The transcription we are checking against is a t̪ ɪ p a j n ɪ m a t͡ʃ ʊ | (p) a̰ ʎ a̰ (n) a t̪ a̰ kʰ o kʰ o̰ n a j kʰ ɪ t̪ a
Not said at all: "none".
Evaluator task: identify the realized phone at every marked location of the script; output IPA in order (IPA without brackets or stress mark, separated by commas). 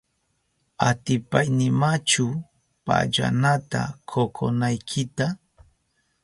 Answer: p, n